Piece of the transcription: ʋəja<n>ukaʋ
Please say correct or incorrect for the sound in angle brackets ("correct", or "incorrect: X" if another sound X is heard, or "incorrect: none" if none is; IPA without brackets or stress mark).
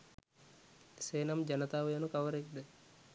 correct